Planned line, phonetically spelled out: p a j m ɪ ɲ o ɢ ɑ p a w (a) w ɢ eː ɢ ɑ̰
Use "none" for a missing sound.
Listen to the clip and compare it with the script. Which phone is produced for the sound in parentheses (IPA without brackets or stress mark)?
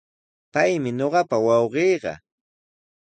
ɑ